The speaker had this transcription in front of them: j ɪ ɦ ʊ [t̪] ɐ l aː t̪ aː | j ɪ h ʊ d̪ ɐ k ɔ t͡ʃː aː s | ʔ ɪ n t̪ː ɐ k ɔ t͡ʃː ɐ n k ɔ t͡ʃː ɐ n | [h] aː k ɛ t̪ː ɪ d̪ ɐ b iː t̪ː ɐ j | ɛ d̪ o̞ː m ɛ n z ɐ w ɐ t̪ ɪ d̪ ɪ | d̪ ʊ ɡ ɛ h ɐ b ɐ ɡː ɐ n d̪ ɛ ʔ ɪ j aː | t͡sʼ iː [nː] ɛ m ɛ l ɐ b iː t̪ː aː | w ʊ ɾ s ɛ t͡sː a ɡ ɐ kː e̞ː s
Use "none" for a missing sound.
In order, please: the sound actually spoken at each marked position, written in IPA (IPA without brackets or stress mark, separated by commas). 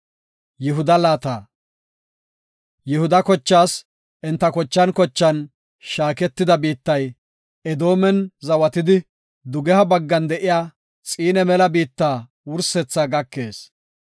d̪, ʃ, n